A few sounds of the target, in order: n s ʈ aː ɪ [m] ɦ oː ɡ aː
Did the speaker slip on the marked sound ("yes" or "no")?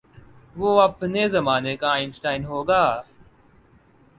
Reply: yes